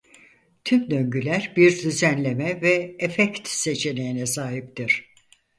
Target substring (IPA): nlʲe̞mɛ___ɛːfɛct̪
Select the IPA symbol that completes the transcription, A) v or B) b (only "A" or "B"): A